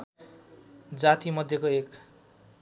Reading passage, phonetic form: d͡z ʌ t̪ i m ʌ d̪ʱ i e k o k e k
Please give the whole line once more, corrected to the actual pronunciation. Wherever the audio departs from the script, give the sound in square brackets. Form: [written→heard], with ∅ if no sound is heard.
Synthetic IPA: d͡z [ʌ→a] t̪ i m ʌ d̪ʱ [i→j] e k o [k→∅] e k